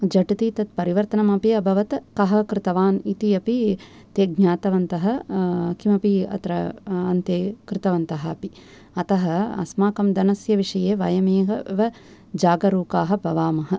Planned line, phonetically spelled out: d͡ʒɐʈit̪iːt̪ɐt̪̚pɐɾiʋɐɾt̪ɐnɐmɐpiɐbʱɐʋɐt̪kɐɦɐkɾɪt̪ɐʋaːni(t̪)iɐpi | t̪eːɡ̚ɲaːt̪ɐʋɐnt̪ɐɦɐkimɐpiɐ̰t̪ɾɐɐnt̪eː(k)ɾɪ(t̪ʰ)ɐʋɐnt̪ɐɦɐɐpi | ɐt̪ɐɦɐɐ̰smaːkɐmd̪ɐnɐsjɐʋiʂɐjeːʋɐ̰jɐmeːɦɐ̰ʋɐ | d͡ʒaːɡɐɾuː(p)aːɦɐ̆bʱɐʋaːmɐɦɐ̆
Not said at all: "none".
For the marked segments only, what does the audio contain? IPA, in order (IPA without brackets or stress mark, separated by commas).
t̪, k, t̪, k